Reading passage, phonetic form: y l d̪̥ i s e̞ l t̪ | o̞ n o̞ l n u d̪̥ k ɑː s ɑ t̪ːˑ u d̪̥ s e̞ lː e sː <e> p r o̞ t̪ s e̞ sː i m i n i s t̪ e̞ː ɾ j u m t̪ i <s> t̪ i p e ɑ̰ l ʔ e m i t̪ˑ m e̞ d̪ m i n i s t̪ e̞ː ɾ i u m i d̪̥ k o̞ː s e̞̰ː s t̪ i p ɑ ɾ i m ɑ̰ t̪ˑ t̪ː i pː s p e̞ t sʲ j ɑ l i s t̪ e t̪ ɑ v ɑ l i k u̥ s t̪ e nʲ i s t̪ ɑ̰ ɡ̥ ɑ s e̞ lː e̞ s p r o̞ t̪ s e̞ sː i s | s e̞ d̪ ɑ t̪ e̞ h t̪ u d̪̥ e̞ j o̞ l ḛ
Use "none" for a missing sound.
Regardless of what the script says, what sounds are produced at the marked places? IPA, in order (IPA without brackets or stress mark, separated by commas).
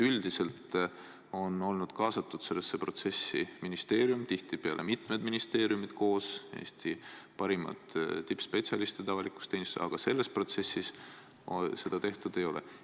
e, h